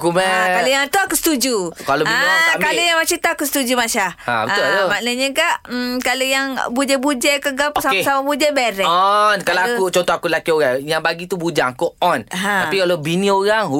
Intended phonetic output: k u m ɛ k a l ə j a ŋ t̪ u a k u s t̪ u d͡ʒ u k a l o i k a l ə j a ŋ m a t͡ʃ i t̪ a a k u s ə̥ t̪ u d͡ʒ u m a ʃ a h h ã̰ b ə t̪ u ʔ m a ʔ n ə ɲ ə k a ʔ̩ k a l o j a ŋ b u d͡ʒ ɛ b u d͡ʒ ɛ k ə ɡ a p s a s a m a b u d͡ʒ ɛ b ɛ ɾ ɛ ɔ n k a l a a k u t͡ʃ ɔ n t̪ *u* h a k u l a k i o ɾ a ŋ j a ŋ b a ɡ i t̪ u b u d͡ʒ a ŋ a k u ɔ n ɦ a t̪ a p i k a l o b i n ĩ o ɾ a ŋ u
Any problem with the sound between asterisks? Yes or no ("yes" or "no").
yes